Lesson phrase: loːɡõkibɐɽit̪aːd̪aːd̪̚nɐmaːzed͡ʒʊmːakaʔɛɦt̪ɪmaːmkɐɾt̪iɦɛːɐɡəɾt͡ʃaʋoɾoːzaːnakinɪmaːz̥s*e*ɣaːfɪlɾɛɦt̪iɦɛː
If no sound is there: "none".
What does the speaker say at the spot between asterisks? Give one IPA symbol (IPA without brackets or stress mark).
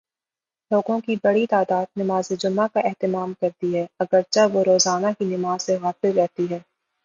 e